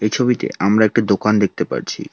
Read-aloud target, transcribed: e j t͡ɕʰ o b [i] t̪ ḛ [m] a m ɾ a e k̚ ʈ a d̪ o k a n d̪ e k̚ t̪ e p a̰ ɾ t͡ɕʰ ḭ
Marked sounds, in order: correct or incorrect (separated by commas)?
correct, incorrect